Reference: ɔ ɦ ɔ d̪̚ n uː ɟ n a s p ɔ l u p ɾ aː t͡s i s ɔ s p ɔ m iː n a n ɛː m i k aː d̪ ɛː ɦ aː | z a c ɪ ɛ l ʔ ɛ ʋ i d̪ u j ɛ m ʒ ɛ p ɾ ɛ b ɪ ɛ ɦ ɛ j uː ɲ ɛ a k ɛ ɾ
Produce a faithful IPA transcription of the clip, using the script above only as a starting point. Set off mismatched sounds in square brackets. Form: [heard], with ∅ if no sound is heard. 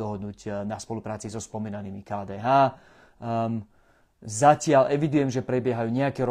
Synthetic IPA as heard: ɔ ɦ ɔ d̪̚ n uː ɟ n a s p ɔ l u p ɾ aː t͡s i [z] ɔ s p ɔ m iː n a n [iː] m i k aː d̪ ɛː ɦ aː | z a c ɪ [a] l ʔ ɛ ʋ i d̪ u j ɛ m ʒ ɛ p ɾ ɛ b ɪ ɛ ɦ [a] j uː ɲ ɛ a k ɛ ɾ